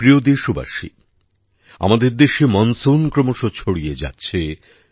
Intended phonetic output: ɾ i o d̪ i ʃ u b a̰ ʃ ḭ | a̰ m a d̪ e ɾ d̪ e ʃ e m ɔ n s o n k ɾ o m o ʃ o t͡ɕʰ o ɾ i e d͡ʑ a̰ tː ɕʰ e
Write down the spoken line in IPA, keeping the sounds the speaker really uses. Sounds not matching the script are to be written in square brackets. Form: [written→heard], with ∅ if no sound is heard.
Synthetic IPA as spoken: ɾ i o d̪ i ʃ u b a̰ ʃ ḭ | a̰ m a d̪ e ɾ d̪ e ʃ e m ɔ n s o n k ɾ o m o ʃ o t͡ɕʰ o [ɾ→ɽ] i e d͡ʑ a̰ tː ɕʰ e